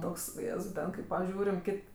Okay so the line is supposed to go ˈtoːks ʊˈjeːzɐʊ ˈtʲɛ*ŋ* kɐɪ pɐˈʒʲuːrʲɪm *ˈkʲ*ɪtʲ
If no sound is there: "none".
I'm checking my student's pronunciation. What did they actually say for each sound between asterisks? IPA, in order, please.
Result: n, kʲ

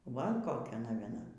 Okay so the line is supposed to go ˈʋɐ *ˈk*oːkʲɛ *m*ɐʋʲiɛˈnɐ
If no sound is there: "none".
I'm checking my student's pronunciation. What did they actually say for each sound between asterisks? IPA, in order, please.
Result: k, n

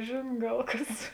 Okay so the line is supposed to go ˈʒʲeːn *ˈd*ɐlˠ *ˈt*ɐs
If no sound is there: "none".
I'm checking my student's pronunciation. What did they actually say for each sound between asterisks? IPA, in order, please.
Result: ɡ, k

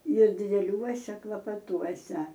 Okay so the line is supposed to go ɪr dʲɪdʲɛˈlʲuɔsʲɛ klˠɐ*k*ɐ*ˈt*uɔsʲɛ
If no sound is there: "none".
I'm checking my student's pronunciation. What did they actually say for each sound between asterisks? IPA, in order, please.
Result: p, t

